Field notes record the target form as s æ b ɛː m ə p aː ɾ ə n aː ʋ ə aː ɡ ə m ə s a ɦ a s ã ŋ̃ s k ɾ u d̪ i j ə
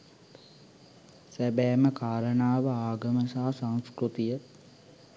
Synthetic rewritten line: s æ b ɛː m ə k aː ɾ ə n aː ʋ ə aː ɡ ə m ə s a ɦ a s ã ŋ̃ s k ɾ u t̪ i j ə